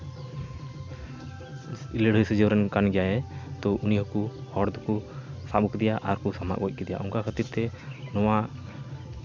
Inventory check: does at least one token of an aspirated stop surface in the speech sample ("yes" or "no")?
yes